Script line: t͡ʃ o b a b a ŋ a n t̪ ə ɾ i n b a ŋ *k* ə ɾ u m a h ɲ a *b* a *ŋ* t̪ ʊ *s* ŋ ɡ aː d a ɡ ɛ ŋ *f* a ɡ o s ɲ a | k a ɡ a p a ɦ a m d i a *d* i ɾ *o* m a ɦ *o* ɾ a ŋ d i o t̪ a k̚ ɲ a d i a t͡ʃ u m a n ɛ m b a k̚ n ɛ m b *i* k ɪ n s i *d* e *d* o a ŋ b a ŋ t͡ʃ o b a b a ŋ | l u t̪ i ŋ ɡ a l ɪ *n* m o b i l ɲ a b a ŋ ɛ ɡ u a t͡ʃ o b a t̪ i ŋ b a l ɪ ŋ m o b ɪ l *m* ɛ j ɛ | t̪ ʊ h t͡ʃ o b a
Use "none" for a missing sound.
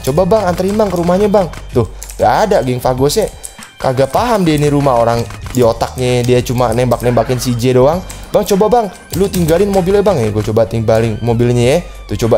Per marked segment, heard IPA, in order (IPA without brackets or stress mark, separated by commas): k, b, ŋ, h, f, n, u, o, a, d͡ʒ, d, n, ɲ